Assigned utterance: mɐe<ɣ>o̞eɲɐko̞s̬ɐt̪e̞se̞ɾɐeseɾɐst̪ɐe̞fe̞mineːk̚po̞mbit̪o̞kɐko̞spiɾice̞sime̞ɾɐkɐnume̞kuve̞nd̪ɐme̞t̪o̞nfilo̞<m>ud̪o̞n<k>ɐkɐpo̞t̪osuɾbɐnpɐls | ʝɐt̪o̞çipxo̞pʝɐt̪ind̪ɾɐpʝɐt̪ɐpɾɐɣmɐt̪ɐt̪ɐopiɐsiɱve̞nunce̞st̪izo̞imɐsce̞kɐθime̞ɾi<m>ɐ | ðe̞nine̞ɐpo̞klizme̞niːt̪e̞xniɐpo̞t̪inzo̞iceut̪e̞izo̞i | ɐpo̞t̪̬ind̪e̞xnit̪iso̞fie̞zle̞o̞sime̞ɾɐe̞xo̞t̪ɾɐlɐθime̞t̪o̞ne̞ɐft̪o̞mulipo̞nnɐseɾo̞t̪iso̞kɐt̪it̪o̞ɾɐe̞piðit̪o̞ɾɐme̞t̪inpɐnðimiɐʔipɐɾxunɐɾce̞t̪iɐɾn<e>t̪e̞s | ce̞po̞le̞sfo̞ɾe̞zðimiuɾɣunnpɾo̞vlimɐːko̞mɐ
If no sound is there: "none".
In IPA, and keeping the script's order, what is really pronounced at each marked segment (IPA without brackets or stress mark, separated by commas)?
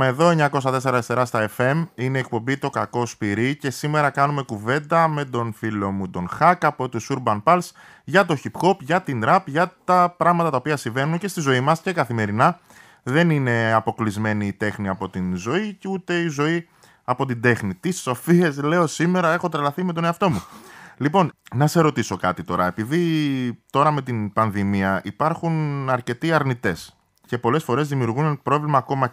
ð, m, x, n, i